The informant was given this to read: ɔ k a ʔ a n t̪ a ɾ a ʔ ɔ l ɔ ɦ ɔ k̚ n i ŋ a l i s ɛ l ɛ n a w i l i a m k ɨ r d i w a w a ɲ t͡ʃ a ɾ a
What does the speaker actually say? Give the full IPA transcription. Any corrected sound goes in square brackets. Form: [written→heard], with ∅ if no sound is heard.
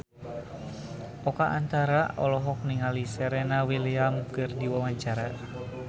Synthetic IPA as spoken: ɔ k a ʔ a n t̪ a ɾ a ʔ ɔ l ɔ ɦ ɔ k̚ n i ŋ a l i s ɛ [l→ɾ] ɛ n a w i l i a m k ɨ r d i w a w a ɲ t͡ʃ a ɾ a